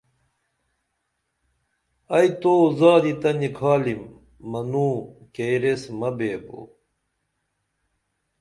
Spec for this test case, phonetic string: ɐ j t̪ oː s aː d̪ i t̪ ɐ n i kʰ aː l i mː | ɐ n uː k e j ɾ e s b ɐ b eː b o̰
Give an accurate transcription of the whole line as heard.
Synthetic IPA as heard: ɐ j t̪ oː z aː d̪ i t̪ ɐ n i kʰ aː l i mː | ɐ n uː k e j ɾ e s m ɐ b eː b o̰